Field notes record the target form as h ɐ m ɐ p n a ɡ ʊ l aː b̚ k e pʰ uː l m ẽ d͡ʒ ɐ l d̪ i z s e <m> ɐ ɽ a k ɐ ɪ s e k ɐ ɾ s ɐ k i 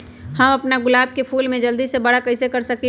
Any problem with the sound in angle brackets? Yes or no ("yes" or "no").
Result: yes